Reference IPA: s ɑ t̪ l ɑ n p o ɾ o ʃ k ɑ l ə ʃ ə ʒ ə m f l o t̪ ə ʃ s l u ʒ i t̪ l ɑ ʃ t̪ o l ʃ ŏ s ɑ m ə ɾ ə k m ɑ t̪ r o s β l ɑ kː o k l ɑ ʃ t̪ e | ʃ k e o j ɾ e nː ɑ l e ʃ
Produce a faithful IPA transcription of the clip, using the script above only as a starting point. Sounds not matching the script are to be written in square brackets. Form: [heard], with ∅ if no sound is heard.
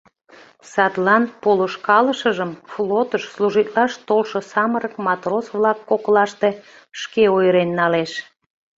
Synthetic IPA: s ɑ t̪ l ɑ n p o [l] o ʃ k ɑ l ə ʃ ə ʒ ə m f l o t̪ ə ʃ s l u ʒ i t̪ l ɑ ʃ t̪ o l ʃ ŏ s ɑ m ə ɾ ə k m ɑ t̪ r o s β l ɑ kː o k l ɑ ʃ t̪ e | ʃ k e o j ɾ e nː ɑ l e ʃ